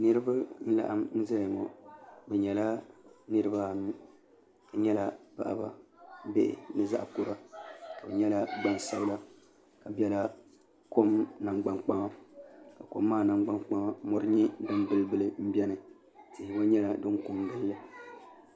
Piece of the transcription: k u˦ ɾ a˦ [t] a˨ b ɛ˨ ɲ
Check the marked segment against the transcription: incorrect: k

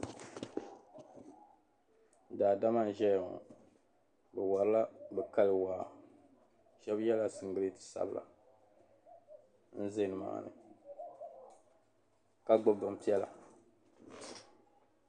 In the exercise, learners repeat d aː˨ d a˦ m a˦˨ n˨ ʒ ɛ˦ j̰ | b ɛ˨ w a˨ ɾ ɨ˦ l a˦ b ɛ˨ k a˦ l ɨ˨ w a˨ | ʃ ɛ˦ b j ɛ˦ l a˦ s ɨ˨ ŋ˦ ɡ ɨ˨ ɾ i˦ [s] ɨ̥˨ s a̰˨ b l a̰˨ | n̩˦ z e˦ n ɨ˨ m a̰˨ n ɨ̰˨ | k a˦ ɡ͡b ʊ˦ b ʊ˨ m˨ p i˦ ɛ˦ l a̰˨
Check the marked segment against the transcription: incorrect: t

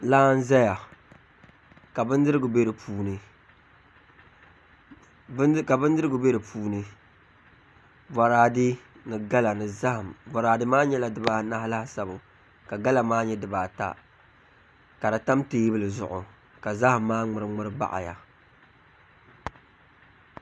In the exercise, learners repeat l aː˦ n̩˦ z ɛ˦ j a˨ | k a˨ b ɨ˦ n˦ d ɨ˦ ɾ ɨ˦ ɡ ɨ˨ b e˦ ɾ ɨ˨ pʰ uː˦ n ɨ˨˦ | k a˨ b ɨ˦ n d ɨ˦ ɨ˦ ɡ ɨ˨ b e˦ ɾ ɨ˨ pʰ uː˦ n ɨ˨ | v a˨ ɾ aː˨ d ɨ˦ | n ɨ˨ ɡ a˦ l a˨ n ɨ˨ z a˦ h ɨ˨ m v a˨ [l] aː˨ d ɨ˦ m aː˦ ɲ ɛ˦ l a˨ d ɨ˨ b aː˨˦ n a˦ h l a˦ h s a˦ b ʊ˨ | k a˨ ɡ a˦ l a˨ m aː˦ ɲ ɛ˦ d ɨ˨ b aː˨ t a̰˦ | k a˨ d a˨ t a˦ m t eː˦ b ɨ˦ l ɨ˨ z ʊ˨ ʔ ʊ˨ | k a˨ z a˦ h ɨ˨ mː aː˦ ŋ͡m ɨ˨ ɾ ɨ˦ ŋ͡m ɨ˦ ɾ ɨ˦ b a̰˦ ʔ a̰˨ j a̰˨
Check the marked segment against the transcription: incorrect: ɾ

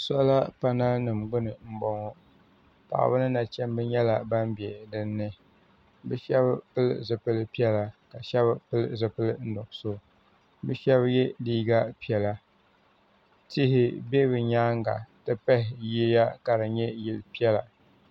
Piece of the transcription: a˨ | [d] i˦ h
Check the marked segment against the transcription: incorrect: t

